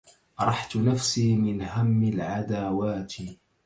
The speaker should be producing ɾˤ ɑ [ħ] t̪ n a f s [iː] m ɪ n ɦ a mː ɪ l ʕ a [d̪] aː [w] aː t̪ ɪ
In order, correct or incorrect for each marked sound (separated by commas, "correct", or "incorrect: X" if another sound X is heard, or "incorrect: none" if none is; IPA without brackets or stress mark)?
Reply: correct, correct, correct, correct